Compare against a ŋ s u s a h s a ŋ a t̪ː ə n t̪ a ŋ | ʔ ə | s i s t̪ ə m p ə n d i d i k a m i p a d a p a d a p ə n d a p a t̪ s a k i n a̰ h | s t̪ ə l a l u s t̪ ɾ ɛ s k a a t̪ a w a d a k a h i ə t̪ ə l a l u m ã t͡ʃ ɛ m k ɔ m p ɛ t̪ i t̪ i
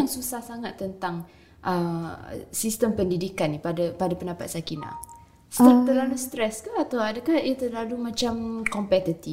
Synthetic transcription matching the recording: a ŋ s u s a h s a ŋ a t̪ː ə n t̪ a ŋ | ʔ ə | s i s t̪ ə m p ə n d i d i k a n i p a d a p a d a p ə n d a p a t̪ s a k i n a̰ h | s t̪ ə l a l u s t̪ ɾ ɛ s k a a t̪ a w a d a k a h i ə t̪ ə l a l u m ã t͡ʃ a m k ɔ m p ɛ t̪ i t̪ i